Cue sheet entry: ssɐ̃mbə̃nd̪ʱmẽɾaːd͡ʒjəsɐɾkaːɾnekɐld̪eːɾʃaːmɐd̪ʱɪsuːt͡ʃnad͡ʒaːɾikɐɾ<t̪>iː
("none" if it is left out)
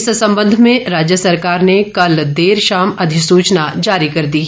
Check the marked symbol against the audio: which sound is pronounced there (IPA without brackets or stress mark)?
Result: d̪